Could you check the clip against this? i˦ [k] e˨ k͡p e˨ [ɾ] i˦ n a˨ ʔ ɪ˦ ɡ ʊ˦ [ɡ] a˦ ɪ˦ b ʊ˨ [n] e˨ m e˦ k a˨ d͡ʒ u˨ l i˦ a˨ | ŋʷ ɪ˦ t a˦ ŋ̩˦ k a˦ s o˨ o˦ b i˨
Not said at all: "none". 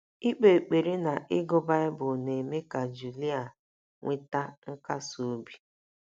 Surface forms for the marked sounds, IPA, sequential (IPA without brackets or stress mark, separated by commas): k͡p, ɾ, b, n